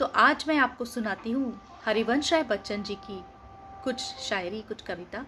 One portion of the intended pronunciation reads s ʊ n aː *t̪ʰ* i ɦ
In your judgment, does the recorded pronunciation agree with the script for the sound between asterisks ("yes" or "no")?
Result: no